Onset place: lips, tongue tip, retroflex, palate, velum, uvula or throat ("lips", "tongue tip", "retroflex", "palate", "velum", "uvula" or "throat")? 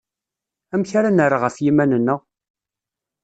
lips